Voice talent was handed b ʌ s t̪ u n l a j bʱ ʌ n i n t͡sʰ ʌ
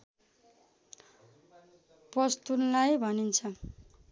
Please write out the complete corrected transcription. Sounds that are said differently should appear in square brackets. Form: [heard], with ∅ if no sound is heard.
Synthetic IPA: [p] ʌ s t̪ u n l a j bʱ ʌ n i n t͡sʰ ʌ